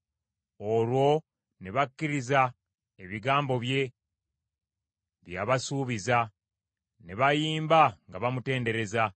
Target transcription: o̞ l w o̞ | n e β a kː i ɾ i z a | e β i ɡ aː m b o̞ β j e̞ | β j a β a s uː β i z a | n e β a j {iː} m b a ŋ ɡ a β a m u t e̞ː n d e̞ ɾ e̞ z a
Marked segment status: correct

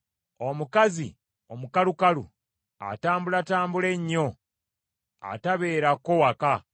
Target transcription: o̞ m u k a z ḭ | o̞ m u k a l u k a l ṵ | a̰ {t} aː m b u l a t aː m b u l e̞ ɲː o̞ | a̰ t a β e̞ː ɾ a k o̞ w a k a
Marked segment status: correct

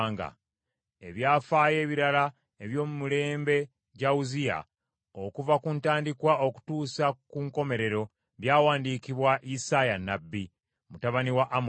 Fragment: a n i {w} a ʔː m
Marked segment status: correct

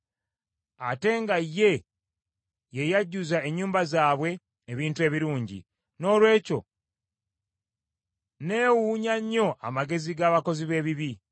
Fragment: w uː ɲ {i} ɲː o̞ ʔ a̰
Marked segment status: incorrect: a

